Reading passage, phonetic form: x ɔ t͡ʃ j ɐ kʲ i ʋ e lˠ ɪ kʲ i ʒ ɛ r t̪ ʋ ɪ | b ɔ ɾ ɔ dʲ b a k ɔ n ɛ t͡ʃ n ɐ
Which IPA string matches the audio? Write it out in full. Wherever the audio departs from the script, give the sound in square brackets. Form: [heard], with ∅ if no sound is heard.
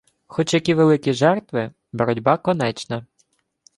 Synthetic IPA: x ɔ t͡ʃ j ɐ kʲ i ʋ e lˠ ɪ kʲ i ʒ ɛ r t̪ ʋ ɪ | b ɔ ɾ ɔ dʲ b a k ɔ n ɛ t͡ʃ n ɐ